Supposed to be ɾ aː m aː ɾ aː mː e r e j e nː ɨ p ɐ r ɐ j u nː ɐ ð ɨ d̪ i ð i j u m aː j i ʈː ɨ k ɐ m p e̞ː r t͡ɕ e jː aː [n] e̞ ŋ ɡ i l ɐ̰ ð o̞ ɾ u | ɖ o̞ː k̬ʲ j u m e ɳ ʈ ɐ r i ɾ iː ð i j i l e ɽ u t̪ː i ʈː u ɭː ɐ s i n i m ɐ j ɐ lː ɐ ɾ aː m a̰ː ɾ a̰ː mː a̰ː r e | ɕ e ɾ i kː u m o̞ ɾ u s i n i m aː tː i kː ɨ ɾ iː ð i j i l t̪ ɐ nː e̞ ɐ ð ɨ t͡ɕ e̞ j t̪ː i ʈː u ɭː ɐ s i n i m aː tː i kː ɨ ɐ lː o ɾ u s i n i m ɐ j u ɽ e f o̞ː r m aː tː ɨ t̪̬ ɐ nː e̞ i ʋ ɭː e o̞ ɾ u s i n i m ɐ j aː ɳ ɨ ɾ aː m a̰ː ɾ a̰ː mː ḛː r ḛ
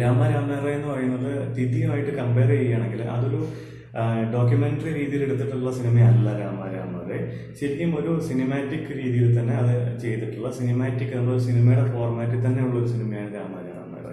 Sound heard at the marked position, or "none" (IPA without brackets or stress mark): ɳ